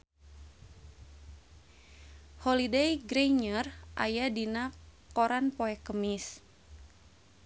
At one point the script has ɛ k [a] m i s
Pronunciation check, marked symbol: incorrect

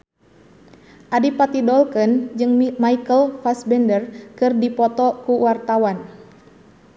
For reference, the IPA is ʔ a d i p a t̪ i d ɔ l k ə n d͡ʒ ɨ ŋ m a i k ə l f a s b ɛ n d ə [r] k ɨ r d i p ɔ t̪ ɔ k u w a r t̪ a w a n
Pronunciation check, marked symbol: correct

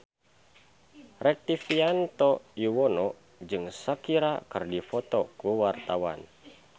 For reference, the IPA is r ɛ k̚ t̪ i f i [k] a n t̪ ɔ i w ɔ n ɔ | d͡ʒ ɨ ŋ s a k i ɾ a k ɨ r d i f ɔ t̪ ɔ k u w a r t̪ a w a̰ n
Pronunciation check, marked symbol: incorrect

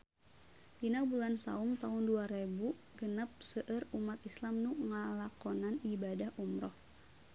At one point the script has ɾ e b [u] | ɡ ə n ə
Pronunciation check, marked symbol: correct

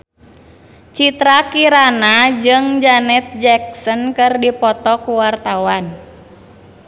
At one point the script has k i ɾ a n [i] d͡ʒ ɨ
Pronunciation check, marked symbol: incorrect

